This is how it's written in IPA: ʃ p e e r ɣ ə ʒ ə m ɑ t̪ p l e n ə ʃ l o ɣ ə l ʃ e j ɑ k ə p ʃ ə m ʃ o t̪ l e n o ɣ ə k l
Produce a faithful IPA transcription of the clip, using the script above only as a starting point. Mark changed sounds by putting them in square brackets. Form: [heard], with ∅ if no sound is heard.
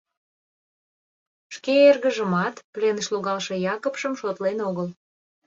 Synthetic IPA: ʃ [k] e e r ɣ ə ʒ ə m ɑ t̪ p l e n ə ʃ l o ɣ [ɑ] l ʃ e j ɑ k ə p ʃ ə m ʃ o t̪ l e n o ɣ ə [∅] l